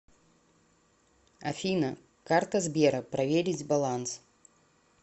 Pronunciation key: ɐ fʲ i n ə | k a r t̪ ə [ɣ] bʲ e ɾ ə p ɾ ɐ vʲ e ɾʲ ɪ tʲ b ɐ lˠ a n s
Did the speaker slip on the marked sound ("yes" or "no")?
yes